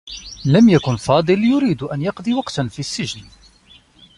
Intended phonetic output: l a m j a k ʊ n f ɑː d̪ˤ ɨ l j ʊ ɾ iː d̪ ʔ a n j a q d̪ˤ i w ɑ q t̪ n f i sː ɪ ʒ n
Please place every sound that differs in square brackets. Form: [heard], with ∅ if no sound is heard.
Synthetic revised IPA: l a m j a k ʊ n f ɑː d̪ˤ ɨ l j ʊ ɾ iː d̪ ʔ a n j [ɑ] q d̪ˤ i w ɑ q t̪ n f i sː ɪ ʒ n